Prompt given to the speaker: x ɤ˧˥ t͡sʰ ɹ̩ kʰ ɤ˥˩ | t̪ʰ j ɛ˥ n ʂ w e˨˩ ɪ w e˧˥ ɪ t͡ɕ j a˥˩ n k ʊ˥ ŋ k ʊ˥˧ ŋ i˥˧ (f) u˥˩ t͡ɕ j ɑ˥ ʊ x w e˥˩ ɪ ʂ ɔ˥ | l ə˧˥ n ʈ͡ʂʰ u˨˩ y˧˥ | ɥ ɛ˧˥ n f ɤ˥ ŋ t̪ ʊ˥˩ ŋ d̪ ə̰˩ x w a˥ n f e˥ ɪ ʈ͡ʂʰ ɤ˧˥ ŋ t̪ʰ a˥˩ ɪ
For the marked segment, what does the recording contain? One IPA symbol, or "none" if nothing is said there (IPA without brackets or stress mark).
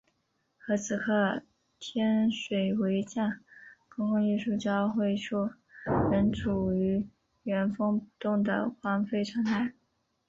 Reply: ʂ